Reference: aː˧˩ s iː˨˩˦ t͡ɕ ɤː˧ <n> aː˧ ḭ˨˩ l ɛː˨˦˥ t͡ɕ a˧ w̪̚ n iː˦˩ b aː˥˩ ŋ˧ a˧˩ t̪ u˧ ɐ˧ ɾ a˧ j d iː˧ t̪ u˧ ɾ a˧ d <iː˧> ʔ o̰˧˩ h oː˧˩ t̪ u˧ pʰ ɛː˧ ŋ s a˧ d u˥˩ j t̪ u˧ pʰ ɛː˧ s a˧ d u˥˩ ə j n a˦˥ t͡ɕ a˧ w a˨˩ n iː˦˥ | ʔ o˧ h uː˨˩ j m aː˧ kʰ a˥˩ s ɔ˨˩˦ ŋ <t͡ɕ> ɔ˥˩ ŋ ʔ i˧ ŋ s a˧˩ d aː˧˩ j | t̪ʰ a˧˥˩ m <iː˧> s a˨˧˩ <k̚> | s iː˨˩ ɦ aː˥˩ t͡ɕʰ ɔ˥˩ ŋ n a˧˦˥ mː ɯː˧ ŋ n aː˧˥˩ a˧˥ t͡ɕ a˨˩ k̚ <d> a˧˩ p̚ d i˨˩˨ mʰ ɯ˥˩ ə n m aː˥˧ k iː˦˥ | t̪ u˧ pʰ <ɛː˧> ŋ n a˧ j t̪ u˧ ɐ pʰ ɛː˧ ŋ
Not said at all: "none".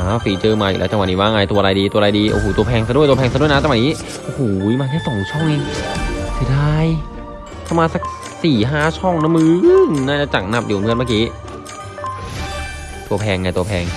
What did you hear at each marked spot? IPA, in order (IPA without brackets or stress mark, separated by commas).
m, iː˧, t͡ɕʰ, aː˧, k̚, n, ɛː˧